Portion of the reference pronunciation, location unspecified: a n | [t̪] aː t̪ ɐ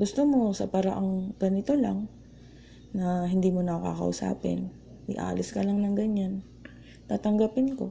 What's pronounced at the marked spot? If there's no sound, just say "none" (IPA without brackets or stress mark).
t̪